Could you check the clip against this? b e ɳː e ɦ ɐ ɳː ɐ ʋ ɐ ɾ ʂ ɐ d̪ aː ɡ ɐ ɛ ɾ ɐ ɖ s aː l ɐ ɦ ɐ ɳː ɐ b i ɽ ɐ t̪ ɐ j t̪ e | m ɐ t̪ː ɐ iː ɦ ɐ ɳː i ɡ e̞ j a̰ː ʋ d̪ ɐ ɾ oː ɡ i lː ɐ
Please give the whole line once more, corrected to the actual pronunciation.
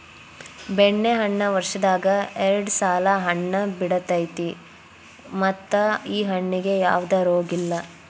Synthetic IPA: b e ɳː e ɦ ɐ ɳː ɐ ʋ ɐ ɾ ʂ ɐ d̪ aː ɡ ɐ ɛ ɾ ɐ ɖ s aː l ɐ ɦ ɐ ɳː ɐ b i ɽ ɐ t̪ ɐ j t̪ i | m ɐ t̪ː ɐ iː ɦ ɐ ɳː i ɡ e̞ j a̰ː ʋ d̪ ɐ ɾ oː ɡ i lː ɐ